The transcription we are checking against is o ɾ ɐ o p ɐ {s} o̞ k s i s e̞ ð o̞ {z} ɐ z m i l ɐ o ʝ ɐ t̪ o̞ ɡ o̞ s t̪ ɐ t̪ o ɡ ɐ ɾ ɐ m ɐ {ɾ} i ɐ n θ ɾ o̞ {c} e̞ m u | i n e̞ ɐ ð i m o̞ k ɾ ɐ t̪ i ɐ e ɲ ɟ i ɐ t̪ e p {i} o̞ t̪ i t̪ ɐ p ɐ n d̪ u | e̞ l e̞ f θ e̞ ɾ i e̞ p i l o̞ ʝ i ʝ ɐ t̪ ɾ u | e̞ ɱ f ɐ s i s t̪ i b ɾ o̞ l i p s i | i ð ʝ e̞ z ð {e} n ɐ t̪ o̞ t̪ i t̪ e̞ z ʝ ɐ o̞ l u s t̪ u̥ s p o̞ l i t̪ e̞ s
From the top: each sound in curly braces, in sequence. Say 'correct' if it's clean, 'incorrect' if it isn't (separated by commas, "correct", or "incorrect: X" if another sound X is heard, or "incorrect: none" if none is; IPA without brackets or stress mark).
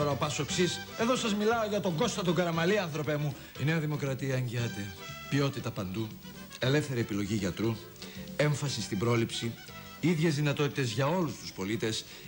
correct, incorrect: s, incorrect: l, incorrect: p, correct, incorrect: i